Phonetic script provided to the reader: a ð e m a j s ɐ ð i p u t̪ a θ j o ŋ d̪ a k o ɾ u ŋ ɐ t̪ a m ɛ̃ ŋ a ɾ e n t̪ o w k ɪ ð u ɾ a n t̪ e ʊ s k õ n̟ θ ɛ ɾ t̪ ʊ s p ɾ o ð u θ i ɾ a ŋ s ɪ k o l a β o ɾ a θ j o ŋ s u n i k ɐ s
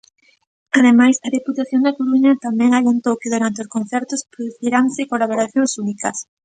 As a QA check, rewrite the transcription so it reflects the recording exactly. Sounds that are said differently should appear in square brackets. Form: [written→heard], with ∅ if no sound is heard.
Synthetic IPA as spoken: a ð e m a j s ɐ ð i p u t̪ a θ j o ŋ d̪ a k o ɾ u [ŋ→ɲ] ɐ t̪ a m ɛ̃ ŋ a [ɾ→l] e n t̪ o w k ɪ ð u ɾ a n t̪ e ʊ s k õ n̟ θ ɛ ɾ t̪ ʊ s p ɾ o ð u θ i ɾ a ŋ s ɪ k o l a β o ɾ a θ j o ŋ s u n i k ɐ s